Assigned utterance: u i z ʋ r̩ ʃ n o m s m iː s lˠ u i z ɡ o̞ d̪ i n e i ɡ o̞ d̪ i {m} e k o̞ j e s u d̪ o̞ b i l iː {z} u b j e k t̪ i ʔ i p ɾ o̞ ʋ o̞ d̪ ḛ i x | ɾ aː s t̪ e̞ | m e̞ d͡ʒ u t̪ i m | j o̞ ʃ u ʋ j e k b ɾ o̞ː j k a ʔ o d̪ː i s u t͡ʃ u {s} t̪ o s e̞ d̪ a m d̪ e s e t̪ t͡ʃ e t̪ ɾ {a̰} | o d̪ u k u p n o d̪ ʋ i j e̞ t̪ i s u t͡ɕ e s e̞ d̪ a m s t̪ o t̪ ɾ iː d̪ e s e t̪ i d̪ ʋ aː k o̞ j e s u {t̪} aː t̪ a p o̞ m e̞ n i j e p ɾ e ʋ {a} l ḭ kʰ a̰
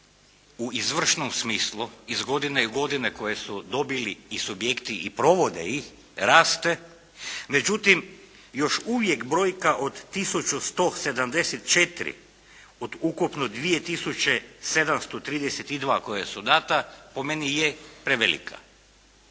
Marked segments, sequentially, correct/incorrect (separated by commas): incorrect, incorrect, correct, incorrect, incorrect, incorrect